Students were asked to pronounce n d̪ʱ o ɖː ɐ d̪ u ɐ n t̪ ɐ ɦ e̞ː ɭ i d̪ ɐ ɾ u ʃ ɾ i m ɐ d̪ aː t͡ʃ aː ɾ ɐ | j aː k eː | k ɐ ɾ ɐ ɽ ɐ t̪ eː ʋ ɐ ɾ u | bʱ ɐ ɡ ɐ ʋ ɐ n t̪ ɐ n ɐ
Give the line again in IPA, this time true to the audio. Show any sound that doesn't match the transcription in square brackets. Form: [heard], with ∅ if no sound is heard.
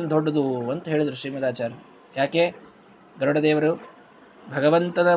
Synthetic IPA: n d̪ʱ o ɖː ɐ d̪ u ɐ n t̪ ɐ ɦ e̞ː ɭ i d̪ ɐ ɾ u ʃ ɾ [iː] m ɐ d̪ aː t͡ʃ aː ɾ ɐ | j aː k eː | [ɡ] ɐ ɾ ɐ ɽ ɐ [d̪] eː ʋ ɐ ɾ u | bʱ ɐ ɡ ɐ ʋ ɐ n t̪ ɐ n ɐ